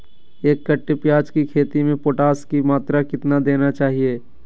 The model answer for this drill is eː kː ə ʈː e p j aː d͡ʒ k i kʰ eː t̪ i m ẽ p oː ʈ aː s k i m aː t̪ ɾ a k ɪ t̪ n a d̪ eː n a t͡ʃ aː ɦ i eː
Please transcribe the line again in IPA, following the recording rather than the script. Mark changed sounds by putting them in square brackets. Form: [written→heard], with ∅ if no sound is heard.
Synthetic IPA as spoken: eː kː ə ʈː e p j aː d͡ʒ k i kʰ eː t̪ i m ẽ p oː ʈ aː s k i m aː t̪ ɾ a k ɪ t̪ n a d̪ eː n a t͡ʃ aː ɦ i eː